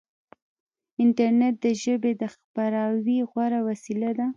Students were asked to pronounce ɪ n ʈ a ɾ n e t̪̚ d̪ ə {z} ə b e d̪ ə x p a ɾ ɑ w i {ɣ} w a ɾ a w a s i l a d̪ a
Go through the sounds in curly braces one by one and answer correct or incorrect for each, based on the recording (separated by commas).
incorrect, correct